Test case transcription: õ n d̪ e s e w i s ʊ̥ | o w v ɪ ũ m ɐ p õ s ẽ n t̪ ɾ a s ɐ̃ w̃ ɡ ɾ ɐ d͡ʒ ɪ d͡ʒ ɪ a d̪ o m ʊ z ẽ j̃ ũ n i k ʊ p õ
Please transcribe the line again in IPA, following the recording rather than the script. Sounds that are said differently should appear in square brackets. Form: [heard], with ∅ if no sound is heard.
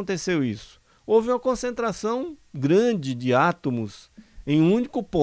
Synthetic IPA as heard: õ n [t̪] e s e w i s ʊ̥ | o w v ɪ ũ m ɐ [k] õ s ẽ n t̪ ɾ a s ɐ̃ w̃ ɡ ɾ [ɐ̃] d͡ʒ ɪ d͡ʒ ɪ a [t̪] o m ʊ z ẽ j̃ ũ n i k ʊ p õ